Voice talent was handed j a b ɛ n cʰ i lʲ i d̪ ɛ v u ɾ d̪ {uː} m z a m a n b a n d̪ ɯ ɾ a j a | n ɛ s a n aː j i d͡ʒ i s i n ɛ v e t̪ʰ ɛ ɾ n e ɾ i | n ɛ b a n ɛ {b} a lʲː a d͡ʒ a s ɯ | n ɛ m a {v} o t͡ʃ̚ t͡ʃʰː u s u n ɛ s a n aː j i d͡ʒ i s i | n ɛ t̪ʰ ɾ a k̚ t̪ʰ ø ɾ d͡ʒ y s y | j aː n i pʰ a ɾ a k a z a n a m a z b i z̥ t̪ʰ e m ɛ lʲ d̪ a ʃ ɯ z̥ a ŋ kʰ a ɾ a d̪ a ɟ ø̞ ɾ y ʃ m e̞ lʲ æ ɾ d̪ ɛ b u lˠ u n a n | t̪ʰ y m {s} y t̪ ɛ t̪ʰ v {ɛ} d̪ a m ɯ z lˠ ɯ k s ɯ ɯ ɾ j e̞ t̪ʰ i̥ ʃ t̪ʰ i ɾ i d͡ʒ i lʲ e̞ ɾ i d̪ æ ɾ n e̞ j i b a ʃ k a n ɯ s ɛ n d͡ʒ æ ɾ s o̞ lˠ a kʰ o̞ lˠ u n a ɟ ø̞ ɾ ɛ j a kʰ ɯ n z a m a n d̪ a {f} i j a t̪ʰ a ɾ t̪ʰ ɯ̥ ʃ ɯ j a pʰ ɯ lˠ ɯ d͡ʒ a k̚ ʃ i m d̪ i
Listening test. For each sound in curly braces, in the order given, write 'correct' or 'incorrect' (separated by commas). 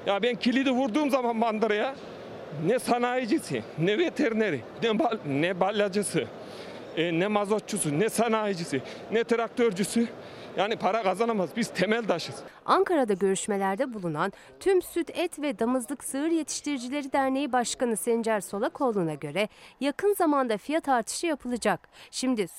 correct, correct, incorrect, correct, correct, correct